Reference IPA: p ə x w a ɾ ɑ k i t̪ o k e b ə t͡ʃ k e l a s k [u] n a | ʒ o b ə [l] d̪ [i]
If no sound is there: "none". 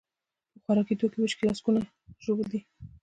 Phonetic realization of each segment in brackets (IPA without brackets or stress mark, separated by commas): u, l, i